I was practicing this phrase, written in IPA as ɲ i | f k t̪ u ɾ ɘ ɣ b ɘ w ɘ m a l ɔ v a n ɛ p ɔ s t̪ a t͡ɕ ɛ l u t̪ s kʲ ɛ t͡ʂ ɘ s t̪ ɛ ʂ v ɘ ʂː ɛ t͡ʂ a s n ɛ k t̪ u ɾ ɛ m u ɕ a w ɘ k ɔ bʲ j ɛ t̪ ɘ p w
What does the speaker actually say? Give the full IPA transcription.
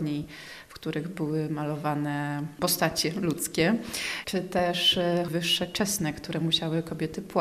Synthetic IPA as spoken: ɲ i | f k t̪ u ɾ ɘ ɣ b ɘ w ɘ m a l ɔ v a n ɛ p ɔ s t̪ a t͡ɕ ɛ l u t̪ s kʲ ɛ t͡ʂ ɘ t̪ ɛ ʂ v ɘ ʂː ɛ t͡ʂ ɛ s n ɛ k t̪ u ɾ ɛ m u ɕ a w ɘ k ɔ bʲ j ɛ t̪ ɘ p w